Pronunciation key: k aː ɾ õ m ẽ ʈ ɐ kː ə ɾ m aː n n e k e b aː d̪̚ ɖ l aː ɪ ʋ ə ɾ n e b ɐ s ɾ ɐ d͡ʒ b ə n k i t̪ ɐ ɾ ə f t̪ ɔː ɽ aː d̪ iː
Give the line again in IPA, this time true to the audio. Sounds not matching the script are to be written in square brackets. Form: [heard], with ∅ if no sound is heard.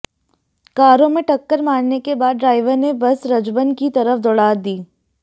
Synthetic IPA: k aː ɾ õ m ẽ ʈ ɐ kː ə ɾ m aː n n e k e b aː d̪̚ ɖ [ɾ] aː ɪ ʋ ə ɾ n e b ɐ s ɾ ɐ d͡ʒ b ə n k i t̪ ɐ ɾ ə f [d̪] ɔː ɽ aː d̪ iː